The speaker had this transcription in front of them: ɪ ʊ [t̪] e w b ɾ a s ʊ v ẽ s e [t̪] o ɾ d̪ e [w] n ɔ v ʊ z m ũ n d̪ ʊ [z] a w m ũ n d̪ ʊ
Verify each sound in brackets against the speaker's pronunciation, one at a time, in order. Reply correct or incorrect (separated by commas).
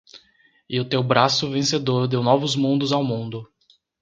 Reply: correct, incorrect, correct, correct